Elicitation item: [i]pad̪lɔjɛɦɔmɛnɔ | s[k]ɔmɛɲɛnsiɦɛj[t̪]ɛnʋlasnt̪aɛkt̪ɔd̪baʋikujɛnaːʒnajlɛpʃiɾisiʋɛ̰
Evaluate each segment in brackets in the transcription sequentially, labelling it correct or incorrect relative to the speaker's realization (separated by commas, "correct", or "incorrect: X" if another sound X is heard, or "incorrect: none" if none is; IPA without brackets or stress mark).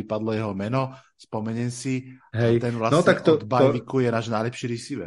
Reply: correct, incorrect: p, correct